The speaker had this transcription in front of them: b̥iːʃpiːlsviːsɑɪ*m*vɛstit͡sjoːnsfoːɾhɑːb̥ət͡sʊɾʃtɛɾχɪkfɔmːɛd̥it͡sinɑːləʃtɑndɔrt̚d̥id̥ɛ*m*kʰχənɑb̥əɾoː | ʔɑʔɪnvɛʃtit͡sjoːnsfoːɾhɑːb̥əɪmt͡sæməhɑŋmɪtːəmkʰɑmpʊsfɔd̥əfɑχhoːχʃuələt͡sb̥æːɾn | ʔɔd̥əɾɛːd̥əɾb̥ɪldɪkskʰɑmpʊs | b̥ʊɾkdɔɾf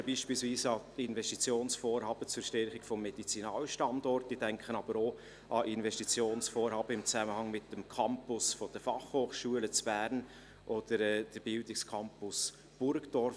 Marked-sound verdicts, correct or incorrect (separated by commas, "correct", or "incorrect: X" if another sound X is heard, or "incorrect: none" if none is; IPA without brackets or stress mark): incorrect: n, incorrect: ŋ